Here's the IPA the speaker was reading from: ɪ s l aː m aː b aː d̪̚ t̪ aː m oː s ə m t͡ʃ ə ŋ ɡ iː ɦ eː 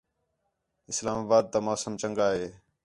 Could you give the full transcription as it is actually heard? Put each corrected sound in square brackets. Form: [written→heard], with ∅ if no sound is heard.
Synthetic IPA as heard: ɪ s l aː m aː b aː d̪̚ t̪ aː m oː s ə m t͡ʃ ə ŋ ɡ [iː→aː] ɦ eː

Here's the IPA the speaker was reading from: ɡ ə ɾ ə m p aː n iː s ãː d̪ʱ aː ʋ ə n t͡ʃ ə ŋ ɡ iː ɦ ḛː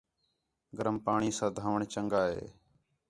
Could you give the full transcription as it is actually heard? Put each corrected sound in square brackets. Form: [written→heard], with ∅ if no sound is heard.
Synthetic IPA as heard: ɡ ə ɾ ə m p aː [n→ɳ] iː s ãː d̪ʱ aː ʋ ə [n→ɳ] t͡ʃ ə ŋ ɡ [iː→aː] ɦ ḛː

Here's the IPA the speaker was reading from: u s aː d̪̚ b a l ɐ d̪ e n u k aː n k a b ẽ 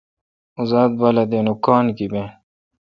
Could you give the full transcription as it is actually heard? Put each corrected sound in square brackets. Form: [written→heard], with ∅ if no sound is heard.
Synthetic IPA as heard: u [s→z] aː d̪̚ b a l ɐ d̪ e n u k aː n k [a→i] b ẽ

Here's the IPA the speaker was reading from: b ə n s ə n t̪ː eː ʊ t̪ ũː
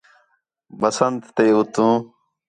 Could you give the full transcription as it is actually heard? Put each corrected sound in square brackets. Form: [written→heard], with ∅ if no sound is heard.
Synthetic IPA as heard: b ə [n→∅] s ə n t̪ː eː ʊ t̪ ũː

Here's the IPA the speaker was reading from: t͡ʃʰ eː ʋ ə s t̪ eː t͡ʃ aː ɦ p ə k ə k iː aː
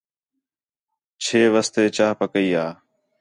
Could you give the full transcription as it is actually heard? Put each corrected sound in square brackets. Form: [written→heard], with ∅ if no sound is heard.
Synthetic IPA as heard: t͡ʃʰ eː ʋ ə s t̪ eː t͡ʃ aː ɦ p ə k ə [k→∅] iː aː

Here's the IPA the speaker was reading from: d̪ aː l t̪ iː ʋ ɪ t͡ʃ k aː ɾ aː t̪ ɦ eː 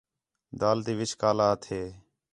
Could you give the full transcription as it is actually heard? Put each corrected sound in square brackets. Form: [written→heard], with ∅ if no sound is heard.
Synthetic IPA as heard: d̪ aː l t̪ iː ʋ ɪ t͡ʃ k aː [ɾ→l] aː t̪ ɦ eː

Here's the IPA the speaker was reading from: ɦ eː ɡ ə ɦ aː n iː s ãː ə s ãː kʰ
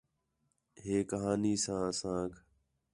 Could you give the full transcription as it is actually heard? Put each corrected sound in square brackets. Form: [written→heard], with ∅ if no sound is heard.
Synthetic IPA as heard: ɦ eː [ɡ→k] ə ɦ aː n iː s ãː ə s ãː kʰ

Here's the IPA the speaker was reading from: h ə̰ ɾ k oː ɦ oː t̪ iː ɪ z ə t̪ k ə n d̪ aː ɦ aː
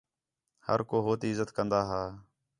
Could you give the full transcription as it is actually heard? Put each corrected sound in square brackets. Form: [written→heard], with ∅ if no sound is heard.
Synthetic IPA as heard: h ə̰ ɾ k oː ɦ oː t̪ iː ɪ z ə t̪ k ə n d̪ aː ɦ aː

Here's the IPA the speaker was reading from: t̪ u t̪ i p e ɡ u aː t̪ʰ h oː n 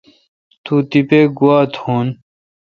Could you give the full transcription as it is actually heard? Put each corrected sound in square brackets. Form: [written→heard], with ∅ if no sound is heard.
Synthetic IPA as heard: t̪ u t̪ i p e ɡ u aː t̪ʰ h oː n

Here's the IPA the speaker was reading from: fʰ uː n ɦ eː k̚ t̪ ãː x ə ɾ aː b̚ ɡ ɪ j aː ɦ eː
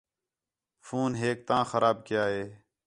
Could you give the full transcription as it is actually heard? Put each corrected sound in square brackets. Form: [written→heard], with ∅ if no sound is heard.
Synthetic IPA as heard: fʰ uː n ɦ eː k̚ t̪ ãː x ə ɾ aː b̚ [ɡ→k] ɪ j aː ɦ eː

